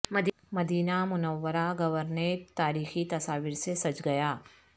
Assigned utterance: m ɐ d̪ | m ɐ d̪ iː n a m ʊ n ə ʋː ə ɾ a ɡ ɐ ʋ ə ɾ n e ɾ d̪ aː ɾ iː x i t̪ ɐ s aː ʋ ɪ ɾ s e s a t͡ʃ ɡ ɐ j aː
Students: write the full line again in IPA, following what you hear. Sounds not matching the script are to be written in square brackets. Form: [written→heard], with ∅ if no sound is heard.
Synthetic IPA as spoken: m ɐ d̪ | m ɐ d̪ iː n a m ʊ n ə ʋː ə ɾ a ɡ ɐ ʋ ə ɾ n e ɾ [d̪→t̪] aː ɾ iː x i t̪ ɐ s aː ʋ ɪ ɾ s e s [a→ɐ] t͡ʃ ɡ ɐ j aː